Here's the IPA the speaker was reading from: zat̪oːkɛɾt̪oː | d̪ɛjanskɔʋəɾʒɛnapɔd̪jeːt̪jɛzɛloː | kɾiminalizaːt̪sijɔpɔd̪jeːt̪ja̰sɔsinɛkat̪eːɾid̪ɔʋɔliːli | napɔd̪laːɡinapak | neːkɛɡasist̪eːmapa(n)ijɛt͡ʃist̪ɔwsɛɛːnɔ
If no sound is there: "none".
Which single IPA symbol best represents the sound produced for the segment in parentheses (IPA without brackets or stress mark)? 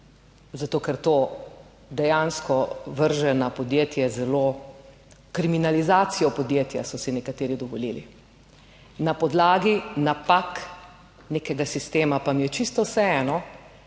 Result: m